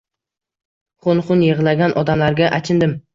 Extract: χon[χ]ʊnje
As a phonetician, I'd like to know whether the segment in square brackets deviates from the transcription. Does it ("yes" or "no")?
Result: no